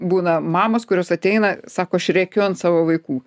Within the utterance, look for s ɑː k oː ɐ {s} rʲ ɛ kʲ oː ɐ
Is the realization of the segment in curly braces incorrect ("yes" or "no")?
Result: yes